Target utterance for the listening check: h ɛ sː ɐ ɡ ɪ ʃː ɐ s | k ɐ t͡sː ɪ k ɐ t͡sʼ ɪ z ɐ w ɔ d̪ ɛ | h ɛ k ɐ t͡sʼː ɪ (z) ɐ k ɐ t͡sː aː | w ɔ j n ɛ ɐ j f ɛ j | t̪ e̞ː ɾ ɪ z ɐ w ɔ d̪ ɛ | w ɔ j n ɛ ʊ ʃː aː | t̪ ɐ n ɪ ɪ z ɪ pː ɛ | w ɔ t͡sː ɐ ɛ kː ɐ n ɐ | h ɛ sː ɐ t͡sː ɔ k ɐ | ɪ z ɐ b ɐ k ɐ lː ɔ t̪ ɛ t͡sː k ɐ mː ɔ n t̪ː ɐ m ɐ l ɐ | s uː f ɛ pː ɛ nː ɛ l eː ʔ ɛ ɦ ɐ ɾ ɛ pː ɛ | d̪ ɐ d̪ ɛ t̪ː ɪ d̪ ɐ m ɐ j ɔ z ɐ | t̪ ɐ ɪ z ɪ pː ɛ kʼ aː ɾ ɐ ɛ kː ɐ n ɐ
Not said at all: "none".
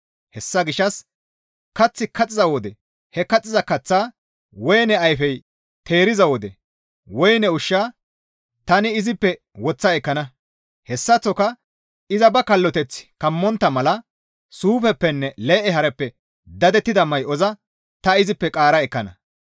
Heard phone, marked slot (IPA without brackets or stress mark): z